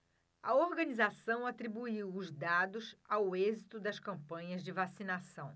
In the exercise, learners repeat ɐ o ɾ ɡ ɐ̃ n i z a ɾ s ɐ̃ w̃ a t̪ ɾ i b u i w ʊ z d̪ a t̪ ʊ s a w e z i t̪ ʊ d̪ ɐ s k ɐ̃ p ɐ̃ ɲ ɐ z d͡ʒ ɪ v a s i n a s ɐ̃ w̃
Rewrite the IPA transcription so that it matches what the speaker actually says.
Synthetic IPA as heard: ɐ o ɾ ɡ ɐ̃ n i z a s ɐ̃ w̃ a t̪ ɾ i b u i w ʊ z d̪ a d̪ ʊ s a w e z i t̪ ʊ d̪ ɐ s k ɐ̃ p ɐ̃ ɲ ɐ z d͡ʒ ɪ v a s i n a s ɐ̃ w̃